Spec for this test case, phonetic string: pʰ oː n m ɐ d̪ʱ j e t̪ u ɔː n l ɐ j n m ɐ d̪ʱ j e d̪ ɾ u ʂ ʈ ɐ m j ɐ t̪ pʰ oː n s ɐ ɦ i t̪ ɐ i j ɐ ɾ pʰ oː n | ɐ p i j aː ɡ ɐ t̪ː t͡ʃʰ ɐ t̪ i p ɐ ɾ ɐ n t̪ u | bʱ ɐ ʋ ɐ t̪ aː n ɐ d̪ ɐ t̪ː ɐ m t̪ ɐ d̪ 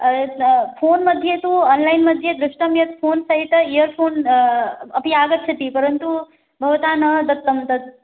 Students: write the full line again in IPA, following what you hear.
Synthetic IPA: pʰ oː n m ɐ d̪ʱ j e t̪ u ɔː n l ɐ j n m ɐ d̪ʱ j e d̪ ɾ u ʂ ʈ ɐ m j ɐ t̪ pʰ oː n s ɐ ɦ i t̪ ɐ i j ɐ ɾ pʰ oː n | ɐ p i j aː ɡ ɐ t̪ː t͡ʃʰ ɐ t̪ i p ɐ ɾ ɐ n t̪ u | bʱ ɐ ʋ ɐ t̪ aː n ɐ d̪ ɐ t̪ː ɐ m t̪ ɐ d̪